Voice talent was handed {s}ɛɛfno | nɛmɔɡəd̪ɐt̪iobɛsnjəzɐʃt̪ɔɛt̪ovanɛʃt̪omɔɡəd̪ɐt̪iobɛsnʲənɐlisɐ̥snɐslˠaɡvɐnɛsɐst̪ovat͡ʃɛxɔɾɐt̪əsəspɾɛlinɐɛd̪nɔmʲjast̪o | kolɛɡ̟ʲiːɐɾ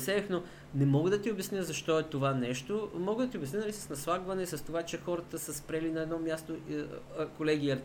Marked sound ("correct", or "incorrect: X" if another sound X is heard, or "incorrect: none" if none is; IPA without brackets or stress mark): correct